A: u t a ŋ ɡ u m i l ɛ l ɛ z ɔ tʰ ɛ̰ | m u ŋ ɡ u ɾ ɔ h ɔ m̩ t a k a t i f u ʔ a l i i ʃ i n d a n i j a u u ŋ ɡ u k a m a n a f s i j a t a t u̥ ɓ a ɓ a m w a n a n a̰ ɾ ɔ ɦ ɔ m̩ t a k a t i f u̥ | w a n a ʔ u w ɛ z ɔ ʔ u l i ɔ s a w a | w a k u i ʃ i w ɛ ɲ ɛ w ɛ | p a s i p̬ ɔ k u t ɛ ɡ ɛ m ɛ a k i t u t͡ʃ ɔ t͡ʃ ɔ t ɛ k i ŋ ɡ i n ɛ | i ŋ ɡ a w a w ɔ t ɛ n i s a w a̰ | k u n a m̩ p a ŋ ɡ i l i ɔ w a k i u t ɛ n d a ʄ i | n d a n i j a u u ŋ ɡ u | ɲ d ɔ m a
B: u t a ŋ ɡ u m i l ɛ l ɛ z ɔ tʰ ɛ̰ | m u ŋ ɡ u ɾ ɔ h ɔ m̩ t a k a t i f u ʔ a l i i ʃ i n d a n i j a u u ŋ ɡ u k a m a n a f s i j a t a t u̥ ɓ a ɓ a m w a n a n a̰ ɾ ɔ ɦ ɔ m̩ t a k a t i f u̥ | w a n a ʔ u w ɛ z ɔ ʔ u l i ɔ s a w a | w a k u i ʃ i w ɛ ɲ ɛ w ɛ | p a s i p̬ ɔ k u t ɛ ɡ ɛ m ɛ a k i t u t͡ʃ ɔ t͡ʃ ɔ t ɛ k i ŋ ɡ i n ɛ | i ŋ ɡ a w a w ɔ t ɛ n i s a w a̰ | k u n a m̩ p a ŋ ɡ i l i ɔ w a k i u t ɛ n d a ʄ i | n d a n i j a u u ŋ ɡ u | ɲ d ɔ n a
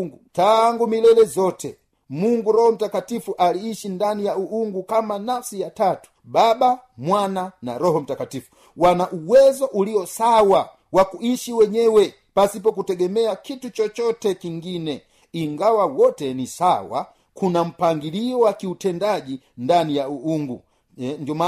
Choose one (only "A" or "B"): A